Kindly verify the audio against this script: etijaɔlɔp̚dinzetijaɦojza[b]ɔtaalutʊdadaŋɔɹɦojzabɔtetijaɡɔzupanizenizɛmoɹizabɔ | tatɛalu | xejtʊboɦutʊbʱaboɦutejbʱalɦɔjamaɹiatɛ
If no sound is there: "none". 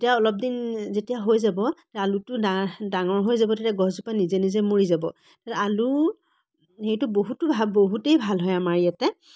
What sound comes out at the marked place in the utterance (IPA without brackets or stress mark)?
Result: b